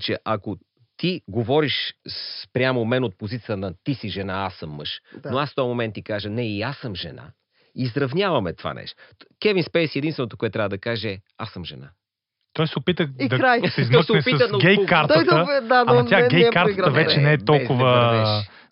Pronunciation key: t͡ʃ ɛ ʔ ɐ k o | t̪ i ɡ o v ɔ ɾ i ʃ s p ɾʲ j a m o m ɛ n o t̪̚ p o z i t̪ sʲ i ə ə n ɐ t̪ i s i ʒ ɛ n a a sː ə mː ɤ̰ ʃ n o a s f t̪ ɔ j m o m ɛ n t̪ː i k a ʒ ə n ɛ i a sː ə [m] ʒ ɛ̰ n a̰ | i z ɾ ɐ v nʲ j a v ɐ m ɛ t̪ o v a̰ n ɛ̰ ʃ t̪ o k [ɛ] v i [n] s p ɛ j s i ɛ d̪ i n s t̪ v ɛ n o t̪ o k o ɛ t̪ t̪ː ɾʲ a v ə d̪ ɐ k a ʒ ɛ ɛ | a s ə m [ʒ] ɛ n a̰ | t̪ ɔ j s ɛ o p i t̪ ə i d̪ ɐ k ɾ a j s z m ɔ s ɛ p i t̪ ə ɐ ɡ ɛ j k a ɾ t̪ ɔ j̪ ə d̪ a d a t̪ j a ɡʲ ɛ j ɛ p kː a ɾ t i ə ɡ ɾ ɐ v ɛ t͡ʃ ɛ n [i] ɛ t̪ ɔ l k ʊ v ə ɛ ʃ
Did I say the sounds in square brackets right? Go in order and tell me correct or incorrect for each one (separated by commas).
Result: correct, correct, correct, correct, incorrect